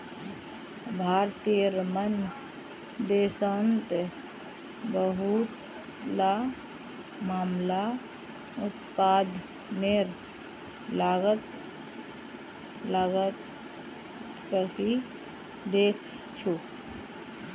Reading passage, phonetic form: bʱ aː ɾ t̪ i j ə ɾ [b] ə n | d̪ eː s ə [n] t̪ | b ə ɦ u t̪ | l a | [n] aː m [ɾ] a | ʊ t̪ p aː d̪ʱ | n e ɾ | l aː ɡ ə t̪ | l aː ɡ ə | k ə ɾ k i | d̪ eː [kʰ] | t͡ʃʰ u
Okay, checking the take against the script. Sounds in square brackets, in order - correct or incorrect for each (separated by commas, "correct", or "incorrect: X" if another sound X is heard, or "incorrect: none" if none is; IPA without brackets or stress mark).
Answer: incorrect: m, correct, incorrect: m, incorrect: l, correct